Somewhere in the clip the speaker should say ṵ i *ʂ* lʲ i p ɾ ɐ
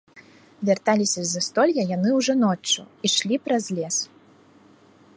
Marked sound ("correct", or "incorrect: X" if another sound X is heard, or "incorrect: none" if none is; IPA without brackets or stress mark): correct